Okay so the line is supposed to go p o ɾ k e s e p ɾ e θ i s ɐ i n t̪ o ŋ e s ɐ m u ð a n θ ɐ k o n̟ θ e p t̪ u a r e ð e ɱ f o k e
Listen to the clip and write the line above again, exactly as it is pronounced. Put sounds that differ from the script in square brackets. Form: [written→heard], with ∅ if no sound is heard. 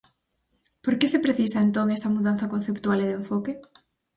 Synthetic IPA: p o ɾ k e s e p ɾ e θ i s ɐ [i→e] n t̪ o ŋ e s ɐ m u ð a n θ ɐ k o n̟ θ e p t̪ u a [r→l] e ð e ɱ f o k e

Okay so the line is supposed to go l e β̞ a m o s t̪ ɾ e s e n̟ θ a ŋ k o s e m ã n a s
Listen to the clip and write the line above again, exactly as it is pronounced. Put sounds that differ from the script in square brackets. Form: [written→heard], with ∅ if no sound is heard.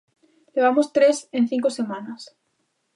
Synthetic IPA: l e β̞ a m o s t̪ ɾ e s e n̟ θ [a→i] ŋ k o s e m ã n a s

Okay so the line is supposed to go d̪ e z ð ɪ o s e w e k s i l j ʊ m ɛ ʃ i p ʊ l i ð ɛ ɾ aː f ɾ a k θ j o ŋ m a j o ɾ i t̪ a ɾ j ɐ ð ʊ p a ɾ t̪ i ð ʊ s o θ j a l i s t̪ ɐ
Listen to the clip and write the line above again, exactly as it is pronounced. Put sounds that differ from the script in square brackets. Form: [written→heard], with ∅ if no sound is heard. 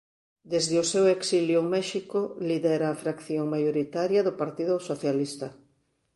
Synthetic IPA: d̪ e z ð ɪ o s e w e k s i l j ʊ m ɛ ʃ i [p→k] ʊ l i ð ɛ ɾ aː f ɾ a k θ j o ŋ m a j o ɾ i t̪ a ɾ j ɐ ð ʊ p a ɾ t̪ i ð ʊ s o θ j a l i s t̪ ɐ

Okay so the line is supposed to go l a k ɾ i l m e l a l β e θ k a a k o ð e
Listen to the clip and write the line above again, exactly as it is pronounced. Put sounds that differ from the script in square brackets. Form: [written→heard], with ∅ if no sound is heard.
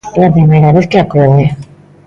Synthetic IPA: l a [k→p] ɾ i [l→∅] m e [l→ɾ] a [l→∅] β e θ k [a→e] a k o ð e

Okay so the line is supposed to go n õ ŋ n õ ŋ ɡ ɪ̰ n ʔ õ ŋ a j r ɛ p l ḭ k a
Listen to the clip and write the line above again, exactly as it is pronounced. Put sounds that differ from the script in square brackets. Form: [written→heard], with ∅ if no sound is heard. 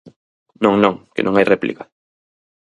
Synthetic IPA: n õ ŋ n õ ŋ [ɡ→k] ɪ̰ n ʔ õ ŋ a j r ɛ p l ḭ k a

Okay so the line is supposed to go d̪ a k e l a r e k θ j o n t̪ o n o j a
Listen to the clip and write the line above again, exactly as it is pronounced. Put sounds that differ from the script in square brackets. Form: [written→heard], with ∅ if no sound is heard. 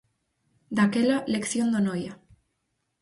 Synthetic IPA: d̪ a k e l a [r→l] e k θ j o n [t̪→d̪] o n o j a

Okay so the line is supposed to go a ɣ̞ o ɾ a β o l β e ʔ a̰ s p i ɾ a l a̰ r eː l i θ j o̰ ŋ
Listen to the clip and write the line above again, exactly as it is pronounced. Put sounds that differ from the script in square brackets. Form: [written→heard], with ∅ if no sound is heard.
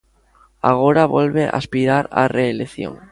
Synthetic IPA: a ɣ̞ o ɾ a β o l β e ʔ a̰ s p i ɾ a [l→ɾ] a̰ r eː l [i→e] θ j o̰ ŋ

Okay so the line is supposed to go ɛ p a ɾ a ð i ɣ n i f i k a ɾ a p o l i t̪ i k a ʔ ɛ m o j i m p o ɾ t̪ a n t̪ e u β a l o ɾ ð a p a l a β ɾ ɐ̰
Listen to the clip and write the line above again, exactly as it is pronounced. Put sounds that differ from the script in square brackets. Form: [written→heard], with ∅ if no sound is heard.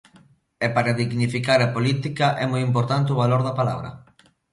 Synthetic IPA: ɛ p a ɾ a ð i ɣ n i f i k a ɾ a p o l i t̪ i k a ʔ ɛ m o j i m p o ɾ t̪ a n t̪ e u β a l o ɾ ð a p a l a β ɾ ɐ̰

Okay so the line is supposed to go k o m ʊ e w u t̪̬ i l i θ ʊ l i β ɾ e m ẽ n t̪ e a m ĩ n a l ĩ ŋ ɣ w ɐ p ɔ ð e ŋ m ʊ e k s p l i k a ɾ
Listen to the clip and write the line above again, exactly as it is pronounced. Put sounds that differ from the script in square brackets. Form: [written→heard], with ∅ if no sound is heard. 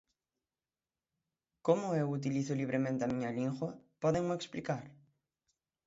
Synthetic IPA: k o m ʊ e w u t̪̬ i l i θ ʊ l i β ɾ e m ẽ n t̪ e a m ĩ [n→ɲ] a l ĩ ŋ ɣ w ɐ p ɔ ð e ŋ m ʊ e k s p l i k a ɾ

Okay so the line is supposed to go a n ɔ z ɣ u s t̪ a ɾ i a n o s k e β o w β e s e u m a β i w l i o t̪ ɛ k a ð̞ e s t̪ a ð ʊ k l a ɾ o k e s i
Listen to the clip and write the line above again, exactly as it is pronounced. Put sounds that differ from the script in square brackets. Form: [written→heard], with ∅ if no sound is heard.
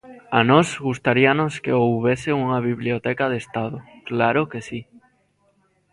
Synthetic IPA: a n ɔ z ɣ u s t̪ a ɾ i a n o s k e [β→∅] o w β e s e u [m→ŋ] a β i [w→β] l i o t̪ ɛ k a ð̞ e s t̪ a ð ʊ k l a ɾ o k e s i

